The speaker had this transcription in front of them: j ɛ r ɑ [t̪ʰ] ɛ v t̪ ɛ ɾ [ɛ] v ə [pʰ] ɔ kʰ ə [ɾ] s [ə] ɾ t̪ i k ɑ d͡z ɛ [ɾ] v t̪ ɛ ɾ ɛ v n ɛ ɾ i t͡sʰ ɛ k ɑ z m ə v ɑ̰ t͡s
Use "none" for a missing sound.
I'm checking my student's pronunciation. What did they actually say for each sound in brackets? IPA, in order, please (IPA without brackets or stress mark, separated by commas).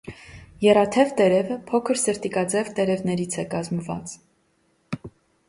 t̪ʰ, ɛ, pʰ, ɾ, ə, none